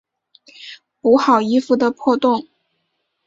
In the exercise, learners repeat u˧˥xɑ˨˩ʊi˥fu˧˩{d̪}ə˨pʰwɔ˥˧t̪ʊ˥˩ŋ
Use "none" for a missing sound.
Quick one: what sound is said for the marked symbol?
d̪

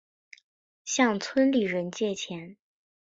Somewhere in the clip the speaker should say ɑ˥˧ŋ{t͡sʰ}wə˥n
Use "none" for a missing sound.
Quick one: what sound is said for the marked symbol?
t͡sʰ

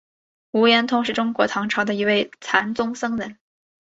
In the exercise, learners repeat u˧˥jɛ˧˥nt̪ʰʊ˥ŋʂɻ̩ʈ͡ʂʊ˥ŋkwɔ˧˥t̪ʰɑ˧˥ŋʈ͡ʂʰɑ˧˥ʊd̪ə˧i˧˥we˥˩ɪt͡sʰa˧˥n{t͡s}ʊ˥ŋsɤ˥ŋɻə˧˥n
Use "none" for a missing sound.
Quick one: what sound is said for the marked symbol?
t͡s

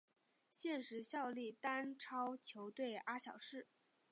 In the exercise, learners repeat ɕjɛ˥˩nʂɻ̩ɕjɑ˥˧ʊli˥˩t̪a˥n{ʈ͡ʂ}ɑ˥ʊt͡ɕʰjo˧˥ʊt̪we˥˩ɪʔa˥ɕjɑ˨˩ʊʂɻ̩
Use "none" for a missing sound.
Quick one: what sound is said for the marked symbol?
ʈ͡ʂʰ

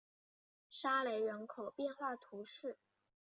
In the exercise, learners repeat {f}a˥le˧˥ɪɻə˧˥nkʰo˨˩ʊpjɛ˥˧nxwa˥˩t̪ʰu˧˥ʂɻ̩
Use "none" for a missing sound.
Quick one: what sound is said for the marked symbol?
ʂ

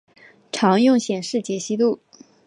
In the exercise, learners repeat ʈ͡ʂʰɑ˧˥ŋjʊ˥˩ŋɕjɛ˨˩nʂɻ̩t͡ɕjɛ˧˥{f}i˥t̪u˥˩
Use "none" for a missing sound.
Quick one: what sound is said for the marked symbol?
ɕ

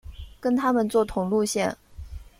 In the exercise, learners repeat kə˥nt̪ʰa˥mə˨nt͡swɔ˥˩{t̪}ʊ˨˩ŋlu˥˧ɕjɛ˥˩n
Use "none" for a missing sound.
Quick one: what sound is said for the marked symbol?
t̪ʰ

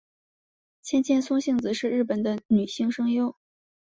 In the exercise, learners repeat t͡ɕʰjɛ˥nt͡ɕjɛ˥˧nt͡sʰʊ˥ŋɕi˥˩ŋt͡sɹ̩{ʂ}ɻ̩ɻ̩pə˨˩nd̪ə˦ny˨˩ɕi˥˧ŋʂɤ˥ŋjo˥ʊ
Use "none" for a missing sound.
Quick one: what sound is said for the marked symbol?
ʂ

